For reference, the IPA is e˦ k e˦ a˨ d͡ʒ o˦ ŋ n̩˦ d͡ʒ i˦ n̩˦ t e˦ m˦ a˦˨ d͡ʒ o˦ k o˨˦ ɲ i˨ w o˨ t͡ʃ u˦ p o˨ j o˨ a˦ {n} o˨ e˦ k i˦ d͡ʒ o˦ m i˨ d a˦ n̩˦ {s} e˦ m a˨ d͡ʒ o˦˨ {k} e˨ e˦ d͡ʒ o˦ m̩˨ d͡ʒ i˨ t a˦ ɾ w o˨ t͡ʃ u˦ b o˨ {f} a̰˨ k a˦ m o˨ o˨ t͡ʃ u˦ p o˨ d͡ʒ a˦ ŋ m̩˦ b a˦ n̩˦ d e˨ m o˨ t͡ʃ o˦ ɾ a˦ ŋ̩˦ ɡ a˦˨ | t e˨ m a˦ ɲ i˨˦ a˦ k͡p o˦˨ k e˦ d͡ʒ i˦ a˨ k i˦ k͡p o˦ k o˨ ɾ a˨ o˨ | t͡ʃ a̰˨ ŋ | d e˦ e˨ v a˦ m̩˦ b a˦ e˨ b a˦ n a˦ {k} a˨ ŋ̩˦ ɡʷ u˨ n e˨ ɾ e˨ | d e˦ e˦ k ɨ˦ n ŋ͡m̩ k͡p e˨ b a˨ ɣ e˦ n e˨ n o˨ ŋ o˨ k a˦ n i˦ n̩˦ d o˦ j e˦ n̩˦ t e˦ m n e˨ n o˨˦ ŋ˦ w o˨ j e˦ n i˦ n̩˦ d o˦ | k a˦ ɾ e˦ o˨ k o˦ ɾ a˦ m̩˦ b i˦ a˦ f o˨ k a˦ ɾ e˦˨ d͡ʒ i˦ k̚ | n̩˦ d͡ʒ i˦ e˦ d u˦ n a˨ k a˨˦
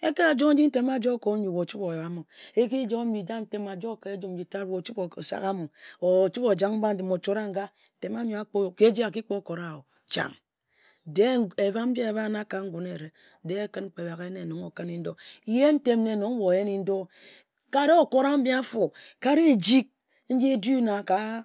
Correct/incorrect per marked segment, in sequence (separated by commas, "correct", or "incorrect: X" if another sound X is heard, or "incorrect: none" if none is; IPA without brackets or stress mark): incorrect: m, incorrect: t, correct, incorrect: s, correct